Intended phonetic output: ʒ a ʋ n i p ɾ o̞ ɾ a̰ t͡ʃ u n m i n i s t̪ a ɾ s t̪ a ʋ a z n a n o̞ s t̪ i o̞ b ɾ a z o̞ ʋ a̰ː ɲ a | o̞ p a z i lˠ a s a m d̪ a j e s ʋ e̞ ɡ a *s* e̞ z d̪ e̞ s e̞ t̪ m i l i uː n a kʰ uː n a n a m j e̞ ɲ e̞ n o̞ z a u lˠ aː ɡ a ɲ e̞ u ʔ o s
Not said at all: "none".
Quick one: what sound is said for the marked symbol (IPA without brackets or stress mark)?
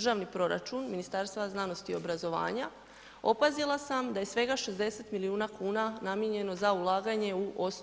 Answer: ʃ